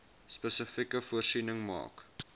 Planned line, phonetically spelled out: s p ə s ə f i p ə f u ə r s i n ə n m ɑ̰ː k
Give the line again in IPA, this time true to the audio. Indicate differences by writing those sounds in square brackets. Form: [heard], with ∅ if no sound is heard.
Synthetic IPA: s p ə s ə f i [k] ə f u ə r s i n ə [ŋ] m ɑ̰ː k

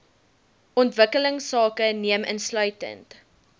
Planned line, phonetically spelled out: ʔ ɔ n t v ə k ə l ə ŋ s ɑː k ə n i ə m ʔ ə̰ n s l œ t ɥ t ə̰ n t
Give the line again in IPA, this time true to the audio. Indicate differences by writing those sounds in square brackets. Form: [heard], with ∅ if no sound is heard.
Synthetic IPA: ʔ ɔ n t v ə k ə l ə ŋ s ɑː k ə n i ə m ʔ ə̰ n s l œ [∅] ɥ t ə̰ n t

